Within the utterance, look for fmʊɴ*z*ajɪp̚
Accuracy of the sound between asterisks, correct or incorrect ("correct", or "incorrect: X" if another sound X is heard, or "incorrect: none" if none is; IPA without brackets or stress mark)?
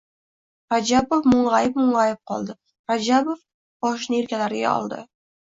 incorrect: ʁ